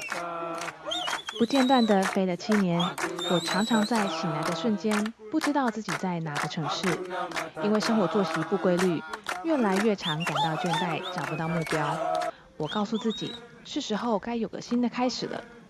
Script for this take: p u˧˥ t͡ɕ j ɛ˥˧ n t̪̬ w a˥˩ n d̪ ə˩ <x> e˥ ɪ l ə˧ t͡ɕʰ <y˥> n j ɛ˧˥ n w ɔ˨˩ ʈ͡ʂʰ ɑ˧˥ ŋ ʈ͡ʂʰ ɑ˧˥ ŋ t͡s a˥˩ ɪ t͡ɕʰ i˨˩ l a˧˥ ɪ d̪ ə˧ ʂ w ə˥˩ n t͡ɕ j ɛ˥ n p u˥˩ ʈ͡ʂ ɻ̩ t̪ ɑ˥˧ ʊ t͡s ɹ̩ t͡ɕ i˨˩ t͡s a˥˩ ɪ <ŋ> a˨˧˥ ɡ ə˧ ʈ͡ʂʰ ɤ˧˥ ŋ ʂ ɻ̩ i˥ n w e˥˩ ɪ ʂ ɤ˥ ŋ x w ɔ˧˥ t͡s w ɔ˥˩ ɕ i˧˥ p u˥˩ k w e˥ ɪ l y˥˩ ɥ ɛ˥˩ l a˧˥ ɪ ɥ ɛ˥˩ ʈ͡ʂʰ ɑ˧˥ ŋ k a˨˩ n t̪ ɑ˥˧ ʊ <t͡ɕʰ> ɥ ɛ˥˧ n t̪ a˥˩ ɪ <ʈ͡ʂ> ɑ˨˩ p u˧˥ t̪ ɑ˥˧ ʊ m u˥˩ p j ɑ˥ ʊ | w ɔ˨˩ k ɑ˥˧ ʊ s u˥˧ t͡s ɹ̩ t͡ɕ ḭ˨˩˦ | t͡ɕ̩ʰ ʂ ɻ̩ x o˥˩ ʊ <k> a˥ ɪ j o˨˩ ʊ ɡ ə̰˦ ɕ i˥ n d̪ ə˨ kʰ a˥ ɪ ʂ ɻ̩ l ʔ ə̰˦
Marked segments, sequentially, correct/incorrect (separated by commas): incorrect, incorrect, incorrect, incorrect, correct, correct